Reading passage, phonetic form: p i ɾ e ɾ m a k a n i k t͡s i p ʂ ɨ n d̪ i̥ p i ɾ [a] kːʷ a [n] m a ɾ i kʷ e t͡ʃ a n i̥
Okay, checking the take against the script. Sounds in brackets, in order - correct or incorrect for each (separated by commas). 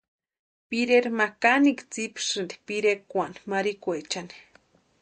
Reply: incorrect, correct